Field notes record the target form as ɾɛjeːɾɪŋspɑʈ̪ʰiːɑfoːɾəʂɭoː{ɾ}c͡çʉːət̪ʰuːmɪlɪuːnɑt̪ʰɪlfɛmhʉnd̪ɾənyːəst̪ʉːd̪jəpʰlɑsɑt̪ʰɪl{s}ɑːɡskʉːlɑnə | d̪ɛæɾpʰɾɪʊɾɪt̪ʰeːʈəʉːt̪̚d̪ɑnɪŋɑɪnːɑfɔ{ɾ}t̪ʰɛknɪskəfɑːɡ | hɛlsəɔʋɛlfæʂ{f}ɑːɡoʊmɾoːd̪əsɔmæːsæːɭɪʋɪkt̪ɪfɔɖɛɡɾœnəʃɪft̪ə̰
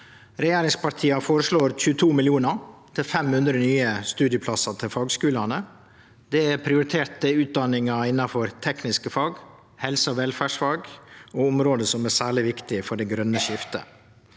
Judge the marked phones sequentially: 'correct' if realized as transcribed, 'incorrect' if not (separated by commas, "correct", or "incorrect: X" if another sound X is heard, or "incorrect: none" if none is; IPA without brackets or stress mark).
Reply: correct, incorrect: f, correct, correct